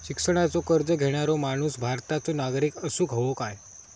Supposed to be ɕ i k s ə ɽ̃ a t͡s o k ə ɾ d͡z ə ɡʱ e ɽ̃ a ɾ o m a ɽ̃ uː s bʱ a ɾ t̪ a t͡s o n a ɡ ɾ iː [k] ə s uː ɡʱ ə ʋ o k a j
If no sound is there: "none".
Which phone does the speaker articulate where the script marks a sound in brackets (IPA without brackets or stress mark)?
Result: k